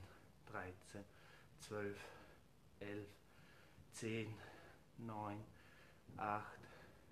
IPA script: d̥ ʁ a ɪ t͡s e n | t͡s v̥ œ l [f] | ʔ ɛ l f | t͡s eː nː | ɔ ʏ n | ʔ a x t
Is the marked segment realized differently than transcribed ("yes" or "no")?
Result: no